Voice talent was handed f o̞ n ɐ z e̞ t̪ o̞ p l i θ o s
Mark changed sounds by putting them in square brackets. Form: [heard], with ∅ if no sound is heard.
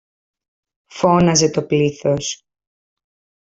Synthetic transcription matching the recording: f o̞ n ɐ z e̞ t̪ o̞ p l i θ o s